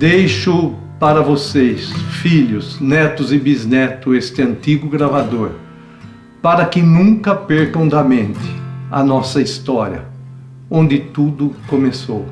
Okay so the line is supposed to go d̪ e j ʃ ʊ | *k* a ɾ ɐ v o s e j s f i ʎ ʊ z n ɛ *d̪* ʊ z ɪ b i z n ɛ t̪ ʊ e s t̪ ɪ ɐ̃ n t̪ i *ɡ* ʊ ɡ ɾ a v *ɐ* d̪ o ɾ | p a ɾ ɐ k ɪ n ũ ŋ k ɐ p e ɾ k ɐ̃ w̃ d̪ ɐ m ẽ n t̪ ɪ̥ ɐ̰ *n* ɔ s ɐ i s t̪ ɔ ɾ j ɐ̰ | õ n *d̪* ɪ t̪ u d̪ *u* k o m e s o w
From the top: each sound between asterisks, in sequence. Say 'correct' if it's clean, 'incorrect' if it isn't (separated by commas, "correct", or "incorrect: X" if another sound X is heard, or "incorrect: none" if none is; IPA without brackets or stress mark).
incorrect: p, incorrect: t̪, correct, incorrect: a, correct, correct, incorrect: ʊ